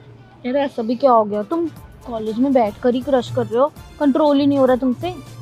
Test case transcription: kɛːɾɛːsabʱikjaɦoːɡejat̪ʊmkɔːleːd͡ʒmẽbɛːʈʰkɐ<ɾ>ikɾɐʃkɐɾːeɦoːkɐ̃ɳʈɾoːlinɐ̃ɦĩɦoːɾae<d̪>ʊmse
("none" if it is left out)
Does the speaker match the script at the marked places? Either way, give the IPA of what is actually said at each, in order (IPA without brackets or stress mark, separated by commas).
ɾ, t̪